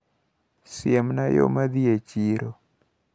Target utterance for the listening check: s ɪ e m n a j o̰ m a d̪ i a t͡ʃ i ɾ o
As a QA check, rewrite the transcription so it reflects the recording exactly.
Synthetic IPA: s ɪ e m n a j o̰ m a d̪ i e t͡ʃ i ɾ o

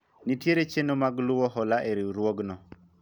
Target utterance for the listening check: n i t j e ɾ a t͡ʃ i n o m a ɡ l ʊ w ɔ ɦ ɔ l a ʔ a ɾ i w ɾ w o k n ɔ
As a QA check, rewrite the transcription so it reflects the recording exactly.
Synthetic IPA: n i t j e ɾ e t͡ʃ e n o m a ɡ l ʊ w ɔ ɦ ɔ l a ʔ e ɾ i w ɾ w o ɡ n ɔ

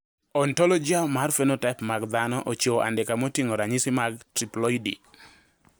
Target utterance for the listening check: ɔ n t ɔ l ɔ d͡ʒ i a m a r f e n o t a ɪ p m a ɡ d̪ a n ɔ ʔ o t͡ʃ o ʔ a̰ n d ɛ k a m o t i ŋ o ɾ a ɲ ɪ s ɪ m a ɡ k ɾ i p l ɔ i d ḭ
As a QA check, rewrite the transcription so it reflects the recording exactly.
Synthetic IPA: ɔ n t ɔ l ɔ d͡ʒ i a m a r f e n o t a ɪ p m a ɡ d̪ a n ɔ ʔ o t͡ʃ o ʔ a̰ n d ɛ k a m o t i ŋ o ɾ a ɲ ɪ s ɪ m a ɡ t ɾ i p l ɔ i d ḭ

